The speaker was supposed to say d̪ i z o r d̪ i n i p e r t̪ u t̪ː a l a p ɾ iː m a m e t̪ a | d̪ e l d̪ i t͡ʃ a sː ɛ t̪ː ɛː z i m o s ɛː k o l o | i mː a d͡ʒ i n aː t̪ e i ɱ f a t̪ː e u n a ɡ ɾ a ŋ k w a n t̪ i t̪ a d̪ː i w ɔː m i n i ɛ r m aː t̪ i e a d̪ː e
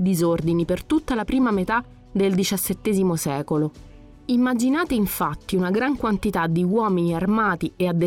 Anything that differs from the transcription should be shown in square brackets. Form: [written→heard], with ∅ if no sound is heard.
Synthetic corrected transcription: d̪ i z o r d̪ i n i p e r t̪ u t̪ː a l a p ɾ iː m a m e t̪ a | d̪ e l d̪ i t͡ʃ a sː [ɛ→e] t̪ː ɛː z i m o s ɛː k o l o | i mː a d͡ʒ i n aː t̪ e i ɱ f a t̪ː [e→i] u n a ɡ ɾ a ŋ k w a n t̪ i t̪ a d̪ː i w ɔː m i n i [ɛ→a] r m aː t̪ i e a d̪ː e